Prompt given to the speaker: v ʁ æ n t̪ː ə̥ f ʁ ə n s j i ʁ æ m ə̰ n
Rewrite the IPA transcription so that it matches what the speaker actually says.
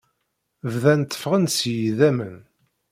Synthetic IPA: v ð æ n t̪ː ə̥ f ʁ ə n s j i ð æ m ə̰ n